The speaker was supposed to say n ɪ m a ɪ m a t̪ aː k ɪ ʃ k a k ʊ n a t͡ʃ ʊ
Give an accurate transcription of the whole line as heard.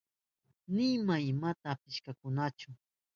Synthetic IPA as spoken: n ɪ m a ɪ m a t̪ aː p ɪ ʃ k a k ʊ n a t͡ʃ ʊ

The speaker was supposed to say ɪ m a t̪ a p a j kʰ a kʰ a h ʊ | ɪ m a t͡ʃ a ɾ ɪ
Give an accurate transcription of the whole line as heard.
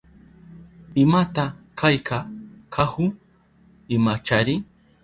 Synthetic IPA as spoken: ɪ m a t̪ a k a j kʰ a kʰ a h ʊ | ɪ m a t͡ʃ a ɾ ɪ

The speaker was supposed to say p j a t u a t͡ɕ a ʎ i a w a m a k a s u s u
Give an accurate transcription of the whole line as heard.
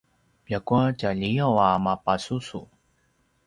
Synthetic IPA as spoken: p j a k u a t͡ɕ a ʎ i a w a m a p a s u s u

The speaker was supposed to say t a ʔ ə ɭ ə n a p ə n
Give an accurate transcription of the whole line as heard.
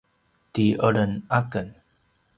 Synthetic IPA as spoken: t i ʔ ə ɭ ə n a k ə n

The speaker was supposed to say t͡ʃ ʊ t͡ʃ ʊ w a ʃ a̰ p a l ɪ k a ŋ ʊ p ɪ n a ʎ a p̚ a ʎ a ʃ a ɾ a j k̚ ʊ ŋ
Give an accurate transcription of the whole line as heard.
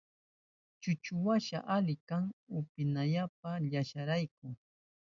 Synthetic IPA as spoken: t͡ʃ ʊ t͡ʃ ʊ w a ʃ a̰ ʔ a l ɪ k a ŋ ʊ p ɪ n a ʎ a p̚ a ʎ a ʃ a ɾ a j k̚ ʊ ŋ

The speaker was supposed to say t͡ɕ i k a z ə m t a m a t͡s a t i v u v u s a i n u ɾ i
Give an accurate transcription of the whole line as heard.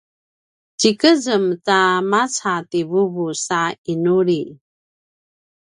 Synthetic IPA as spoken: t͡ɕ i k ə z ə m t a m a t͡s a t i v u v u s a i n u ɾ i

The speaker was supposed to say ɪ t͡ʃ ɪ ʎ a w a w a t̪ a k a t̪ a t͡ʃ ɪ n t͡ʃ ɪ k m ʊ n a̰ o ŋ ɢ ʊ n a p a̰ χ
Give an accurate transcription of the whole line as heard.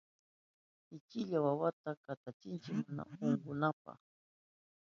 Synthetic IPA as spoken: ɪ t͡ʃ ɪ ʎ a w a w a t̪ a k a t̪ a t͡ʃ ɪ n t͡ʃ ɪ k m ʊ n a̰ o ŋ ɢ ʊ n a p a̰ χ

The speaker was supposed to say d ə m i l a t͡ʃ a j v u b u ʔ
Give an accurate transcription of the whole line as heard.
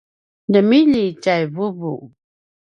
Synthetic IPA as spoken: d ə m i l i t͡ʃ a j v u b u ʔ

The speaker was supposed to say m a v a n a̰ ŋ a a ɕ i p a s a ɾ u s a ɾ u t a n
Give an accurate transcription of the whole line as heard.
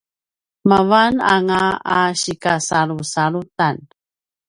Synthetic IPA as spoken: m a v a n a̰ ŋ a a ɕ i k a s a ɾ u s a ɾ u t a n

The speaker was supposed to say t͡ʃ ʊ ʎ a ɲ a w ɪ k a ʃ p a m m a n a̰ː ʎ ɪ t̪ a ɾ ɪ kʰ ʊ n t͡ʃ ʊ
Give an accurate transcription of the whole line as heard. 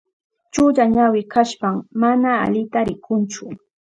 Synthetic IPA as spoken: t͡ʃ ʊ ʎ a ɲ a w ɪ k a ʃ p a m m a n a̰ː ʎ ɪ t̪ a ɾ ɪ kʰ ʊ n t͡ʃ ʊ

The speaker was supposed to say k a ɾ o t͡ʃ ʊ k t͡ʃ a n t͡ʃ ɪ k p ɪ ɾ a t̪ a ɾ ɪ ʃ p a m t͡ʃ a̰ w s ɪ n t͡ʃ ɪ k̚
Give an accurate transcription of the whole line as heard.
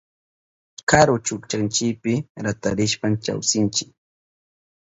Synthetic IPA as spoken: k a ɾ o t͡ʃ ʊ k t͡ʃ a n t͡ʃ ɪ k p ɪ ɾ a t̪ a ɾ ɪ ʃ p a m t͡ʃ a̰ w s ɪ n t͡ʃ ɪ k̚

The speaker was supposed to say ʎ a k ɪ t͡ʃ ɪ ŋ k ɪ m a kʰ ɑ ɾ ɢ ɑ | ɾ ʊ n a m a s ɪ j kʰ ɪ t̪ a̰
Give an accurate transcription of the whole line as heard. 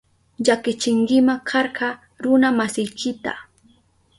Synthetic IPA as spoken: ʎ a k ɪ t͡ʃ ɪ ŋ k ɪ m a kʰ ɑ ɾ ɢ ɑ | ɾ ʊ n a m a s ɪ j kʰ ɪ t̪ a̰

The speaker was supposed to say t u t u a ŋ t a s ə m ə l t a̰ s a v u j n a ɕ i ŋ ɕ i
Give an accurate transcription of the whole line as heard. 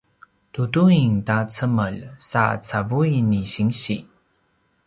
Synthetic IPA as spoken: t u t u i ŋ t a t͡s ə m ə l s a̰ t͡s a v u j n i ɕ i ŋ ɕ i

